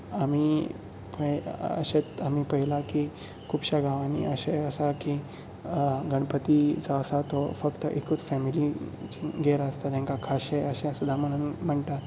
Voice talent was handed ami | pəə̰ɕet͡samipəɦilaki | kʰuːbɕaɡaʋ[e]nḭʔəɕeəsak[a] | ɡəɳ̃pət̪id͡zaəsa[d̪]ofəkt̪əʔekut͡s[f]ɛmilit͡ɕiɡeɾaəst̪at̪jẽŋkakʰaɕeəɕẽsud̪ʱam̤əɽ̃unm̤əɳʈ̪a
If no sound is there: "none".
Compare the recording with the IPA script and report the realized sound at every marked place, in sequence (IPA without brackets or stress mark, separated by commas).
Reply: a, i, t̪, f